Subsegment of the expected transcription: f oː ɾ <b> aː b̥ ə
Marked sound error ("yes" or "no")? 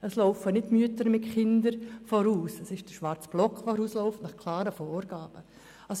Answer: yes